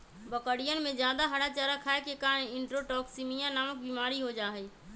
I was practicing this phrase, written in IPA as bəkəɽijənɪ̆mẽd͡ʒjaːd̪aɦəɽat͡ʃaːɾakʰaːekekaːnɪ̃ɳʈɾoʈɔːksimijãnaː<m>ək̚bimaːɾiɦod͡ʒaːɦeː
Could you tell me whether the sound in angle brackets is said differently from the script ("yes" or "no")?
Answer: no